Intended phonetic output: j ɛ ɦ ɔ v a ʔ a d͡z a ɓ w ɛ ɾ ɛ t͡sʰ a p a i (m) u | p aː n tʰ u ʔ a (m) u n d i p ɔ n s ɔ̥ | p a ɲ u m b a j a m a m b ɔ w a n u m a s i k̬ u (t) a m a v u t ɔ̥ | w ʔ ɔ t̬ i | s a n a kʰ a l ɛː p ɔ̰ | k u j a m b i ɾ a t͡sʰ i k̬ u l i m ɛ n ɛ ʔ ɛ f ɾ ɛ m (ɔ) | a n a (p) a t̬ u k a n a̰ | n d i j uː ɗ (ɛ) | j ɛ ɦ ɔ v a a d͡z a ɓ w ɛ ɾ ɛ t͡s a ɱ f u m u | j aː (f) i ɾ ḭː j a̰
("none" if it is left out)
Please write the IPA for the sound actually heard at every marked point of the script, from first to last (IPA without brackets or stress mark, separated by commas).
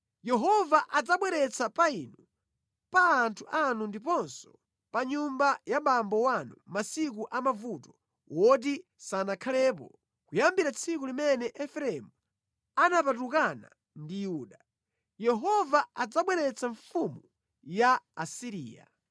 n, n, ʔ, u, p, a, s